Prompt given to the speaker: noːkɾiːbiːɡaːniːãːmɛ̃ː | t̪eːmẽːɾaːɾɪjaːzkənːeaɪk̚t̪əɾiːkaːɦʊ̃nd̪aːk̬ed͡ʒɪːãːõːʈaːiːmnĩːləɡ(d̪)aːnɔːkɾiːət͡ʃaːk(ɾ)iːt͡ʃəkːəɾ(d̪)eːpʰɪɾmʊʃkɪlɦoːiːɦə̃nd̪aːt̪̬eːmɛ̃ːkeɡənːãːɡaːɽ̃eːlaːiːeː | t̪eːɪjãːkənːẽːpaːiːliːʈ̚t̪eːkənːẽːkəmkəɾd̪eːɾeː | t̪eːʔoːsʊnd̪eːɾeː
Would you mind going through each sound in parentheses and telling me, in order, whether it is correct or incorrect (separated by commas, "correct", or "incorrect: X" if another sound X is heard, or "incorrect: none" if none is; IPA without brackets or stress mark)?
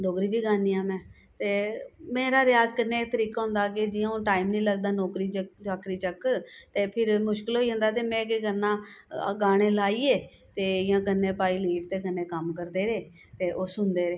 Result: correct, correct, incorrect: t̪